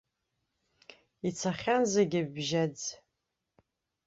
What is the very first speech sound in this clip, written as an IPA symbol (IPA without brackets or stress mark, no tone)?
i